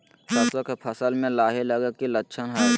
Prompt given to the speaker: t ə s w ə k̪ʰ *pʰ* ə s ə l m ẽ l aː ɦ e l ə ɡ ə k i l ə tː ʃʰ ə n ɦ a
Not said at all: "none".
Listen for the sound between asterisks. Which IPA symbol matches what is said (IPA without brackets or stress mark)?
pʰ